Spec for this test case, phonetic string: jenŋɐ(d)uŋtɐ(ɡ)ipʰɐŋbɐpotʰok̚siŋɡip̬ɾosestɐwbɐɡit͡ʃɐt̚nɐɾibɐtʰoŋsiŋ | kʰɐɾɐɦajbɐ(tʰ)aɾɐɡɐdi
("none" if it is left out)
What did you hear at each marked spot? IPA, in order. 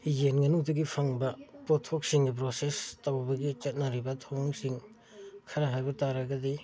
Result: n, ɡ, t

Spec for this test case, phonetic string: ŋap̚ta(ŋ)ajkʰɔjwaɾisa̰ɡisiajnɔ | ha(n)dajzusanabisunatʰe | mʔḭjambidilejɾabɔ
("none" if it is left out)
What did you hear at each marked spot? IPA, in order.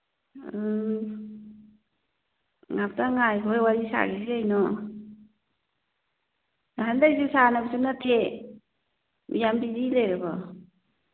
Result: ŋ, n

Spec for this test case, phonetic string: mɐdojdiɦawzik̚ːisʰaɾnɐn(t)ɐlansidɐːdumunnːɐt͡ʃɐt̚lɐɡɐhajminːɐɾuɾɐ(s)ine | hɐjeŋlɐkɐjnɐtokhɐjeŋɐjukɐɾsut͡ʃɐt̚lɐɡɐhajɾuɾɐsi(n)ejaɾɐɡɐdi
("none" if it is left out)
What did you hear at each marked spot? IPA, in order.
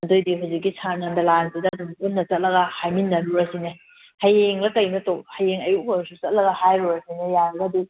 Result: d, s, n

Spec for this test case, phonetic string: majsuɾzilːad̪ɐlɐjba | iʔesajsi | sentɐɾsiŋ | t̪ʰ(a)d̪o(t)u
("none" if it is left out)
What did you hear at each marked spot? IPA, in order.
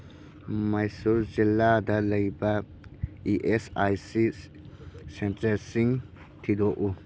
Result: i, ʔ

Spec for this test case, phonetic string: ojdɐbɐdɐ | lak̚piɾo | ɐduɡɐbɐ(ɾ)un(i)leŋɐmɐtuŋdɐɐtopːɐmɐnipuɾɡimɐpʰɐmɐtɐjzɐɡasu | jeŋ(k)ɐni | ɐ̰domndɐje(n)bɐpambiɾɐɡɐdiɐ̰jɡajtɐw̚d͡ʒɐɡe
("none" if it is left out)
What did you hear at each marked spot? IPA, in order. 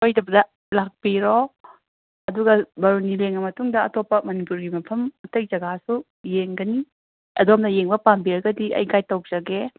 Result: ɾ, i, ɡ, ŋ

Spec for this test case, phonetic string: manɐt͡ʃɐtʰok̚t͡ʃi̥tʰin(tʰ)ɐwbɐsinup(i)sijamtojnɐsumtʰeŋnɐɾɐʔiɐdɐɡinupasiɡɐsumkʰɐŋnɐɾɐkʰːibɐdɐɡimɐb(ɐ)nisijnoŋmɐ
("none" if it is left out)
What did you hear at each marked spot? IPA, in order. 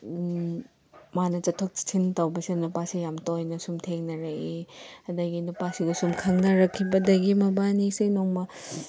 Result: t, a, a

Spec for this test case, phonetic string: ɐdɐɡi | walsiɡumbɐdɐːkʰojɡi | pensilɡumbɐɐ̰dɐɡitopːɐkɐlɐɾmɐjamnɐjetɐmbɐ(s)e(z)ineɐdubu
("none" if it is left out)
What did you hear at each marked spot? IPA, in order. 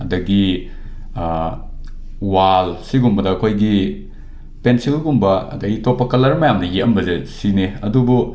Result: z, s

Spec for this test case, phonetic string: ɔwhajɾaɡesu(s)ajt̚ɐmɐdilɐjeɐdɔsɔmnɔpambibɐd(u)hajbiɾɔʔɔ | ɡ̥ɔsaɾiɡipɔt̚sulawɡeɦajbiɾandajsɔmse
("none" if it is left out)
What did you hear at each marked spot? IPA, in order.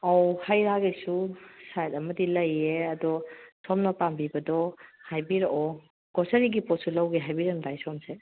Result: s, ɔ

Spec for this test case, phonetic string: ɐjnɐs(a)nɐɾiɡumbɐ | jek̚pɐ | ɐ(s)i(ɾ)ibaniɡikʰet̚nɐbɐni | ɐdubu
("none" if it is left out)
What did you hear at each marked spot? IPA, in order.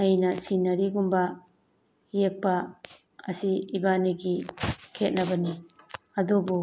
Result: i, s, none

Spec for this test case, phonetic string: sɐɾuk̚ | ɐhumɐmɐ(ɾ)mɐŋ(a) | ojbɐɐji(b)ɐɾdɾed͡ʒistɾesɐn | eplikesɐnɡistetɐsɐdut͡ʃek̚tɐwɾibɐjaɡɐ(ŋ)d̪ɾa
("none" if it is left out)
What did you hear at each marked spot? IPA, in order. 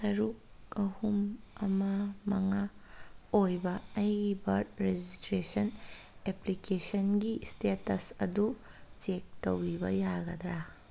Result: none, a, b, none

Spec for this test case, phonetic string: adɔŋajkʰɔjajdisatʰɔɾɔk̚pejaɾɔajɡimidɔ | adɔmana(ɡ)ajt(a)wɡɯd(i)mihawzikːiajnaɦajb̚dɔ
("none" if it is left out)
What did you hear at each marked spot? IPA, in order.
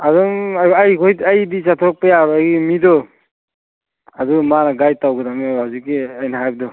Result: ɡ, a, a

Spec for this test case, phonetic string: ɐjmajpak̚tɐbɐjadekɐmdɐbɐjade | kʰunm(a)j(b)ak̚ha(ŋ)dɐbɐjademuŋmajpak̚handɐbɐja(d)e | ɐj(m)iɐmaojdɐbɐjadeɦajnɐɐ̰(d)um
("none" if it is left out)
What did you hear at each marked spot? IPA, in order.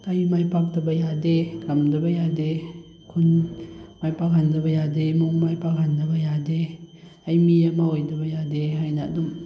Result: a, p, n, d, m, d

